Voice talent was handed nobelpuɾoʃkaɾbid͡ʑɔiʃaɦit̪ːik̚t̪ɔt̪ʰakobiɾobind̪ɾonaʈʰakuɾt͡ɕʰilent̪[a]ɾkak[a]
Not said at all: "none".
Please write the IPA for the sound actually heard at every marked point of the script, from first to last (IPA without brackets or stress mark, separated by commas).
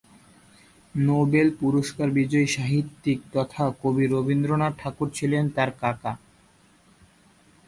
a, a